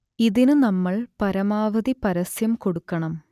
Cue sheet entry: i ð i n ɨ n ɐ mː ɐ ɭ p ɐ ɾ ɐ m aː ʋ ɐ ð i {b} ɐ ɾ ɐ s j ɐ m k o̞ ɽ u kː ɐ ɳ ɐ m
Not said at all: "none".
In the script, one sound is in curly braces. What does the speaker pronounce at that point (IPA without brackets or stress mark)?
p